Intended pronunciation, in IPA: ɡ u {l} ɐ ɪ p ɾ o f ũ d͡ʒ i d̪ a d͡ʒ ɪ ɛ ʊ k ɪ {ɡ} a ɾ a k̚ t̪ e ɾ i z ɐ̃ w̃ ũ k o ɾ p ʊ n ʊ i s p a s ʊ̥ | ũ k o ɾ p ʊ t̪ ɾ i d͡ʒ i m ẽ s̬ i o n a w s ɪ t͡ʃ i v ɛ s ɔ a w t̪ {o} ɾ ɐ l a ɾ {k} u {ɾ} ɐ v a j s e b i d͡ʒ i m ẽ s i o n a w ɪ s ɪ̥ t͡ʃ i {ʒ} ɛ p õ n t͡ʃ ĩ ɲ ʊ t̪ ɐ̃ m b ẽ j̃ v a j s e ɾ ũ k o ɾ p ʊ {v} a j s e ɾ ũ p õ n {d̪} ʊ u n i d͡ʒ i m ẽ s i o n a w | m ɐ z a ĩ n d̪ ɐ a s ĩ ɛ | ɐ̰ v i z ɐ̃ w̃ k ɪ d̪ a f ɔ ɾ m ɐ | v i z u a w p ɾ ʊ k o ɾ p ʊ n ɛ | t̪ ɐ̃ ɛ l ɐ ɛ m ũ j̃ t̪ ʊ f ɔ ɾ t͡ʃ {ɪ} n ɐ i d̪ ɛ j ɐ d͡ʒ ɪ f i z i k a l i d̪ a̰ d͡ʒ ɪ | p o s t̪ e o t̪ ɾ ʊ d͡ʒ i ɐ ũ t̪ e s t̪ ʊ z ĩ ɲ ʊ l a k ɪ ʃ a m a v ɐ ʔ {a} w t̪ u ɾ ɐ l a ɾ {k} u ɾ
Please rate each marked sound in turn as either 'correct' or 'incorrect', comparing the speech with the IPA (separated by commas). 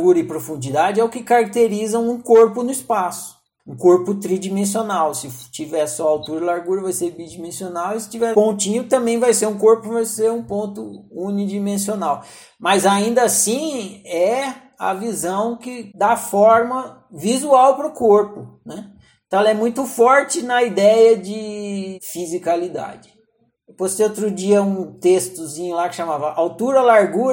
incorrect, incorrect, incorrect, incorrect, correct, incorrect, correct, incorrect, correct, correct, incorrect